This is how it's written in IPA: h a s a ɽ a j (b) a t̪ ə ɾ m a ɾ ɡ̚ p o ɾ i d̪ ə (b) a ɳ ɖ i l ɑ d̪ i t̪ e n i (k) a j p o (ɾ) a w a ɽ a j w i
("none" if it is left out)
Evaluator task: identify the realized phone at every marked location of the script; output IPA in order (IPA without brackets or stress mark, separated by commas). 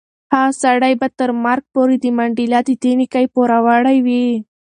b, m, k, ɾ